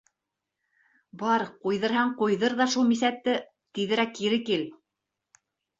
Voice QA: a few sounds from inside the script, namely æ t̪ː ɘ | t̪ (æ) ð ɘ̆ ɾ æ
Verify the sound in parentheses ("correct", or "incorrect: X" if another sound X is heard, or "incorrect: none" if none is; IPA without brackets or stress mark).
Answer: incorrect: i